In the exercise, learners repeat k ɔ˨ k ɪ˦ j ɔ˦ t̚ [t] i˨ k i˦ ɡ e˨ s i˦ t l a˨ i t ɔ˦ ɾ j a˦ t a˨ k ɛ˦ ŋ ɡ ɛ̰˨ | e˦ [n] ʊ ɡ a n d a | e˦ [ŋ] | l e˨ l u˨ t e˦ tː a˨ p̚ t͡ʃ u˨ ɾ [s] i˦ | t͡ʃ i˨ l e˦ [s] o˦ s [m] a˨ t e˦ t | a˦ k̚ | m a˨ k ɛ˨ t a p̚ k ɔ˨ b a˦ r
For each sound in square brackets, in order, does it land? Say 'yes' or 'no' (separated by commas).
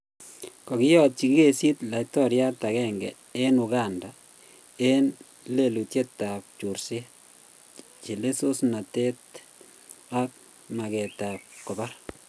no, yes, no, yes, yes, no